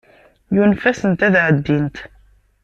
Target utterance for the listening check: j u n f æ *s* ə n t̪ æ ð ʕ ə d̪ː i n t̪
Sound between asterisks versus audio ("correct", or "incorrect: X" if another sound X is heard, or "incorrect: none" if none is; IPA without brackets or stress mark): correct